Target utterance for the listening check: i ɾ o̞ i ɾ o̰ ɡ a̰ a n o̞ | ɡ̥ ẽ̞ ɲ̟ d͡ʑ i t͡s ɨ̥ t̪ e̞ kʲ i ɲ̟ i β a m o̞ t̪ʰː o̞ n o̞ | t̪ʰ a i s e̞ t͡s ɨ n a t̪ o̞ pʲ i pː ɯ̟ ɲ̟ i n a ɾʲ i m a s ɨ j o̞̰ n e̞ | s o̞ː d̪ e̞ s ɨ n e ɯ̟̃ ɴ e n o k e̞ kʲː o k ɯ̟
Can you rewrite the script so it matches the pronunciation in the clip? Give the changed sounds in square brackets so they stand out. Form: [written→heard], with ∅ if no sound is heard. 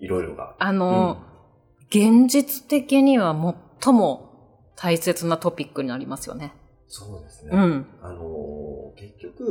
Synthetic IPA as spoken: i ɾ o̞ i ɾ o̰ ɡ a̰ a n o̞ | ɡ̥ ẽ̞ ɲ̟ d͡ʑ i t͡s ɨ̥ t̪ e̞ kʲ i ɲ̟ i β a m o̞ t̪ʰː o̞ [n→m] o̞ | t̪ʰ a i s e̞ t͡s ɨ n a t̪ o̞ pʲ i [pː→kː] ɯ̟ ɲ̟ i n a ɾʲ i m a s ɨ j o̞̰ n e̞ | s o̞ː d̪ e̞ s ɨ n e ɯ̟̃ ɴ [e→a] n o k e̞ kʲː o k ɯ̟